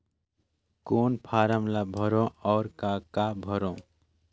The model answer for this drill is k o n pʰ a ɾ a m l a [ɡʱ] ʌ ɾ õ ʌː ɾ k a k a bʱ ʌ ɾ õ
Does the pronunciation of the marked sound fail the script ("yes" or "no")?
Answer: yes